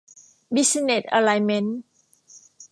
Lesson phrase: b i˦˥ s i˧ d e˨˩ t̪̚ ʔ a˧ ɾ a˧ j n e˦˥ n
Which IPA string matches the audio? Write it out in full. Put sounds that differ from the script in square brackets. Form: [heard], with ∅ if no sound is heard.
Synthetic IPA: b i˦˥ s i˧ [n] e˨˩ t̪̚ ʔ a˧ [l] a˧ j [m] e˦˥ n